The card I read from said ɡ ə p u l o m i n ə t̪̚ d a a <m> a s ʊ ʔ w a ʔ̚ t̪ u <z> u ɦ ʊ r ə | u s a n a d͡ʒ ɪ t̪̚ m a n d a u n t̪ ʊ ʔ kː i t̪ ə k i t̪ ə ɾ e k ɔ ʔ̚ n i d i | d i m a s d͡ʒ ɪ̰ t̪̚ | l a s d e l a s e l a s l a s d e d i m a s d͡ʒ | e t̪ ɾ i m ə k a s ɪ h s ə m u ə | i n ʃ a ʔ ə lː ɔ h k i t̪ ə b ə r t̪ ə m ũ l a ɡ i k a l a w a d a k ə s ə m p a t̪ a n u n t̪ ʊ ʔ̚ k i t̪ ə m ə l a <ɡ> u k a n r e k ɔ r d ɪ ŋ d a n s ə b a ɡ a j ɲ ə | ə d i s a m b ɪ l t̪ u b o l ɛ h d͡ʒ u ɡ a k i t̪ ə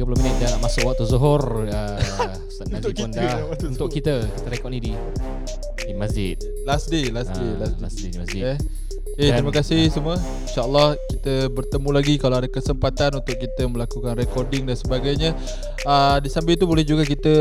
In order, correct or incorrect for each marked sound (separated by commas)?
correct, correct, incorrect